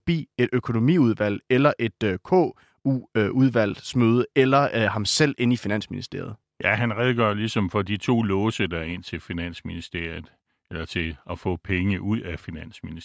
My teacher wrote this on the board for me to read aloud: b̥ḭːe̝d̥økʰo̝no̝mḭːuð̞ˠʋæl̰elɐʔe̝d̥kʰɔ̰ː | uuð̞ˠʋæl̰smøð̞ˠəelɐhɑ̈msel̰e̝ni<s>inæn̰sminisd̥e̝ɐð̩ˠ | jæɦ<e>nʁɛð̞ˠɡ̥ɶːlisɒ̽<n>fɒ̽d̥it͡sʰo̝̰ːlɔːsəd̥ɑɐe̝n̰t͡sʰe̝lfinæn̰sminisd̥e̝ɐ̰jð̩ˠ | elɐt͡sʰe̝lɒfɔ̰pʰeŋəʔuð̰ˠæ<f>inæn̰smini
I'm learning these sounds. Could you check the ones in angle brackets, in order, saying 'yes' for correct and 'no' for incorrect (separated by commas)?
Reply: no, no, no, yes